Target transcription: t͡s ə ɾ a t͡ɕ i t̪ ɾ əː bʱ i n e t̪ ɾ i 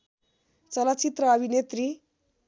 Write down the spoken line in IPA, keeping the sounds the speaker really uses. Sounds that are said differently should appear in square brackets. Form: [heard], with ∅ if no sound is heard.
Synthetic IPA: t͡s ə [l] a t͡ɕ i t̪ ɾ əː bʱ i n e t̪ ɾ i